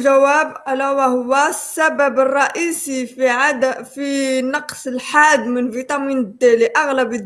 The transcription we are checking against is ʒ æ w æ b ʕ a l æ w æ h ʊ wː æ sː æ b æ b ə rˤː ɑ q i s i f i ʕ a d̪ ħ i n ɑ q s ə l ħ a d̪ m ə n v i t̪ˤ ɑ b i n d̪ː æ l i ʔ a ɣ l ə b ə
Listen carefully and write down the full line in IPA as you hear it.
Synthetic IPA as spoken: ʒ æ w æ b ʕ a l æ w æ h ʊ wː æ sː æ b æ b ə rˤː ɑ ʔ i s i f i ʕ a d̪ f i n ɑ q s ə l ħ a d̪ m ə n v i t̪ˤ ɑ m i n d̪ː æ l i ʔ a ɣ l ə b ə